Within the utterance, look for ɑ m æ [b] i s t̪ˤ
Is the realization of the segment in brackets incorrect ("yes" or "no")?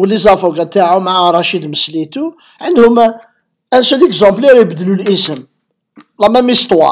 yes